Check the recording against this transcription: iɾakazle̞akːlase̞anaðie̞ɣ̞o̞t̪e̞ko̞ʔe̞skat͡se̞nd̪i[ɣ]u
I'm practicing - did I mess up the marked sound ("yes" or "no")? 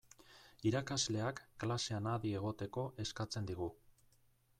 no